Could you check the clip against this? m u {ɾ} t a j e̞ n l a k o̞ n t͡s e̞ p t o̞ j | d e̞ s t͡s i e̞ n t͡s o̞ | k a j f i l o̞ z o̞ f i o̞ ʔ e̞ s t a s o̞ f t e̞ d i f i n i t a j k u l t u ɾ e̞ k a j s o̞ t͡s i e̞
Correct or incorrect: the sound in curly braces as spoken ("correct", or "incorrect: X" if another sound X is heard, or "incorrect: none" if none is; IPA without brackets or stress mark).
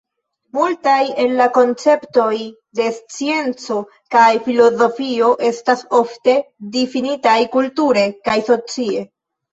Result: incorrect: l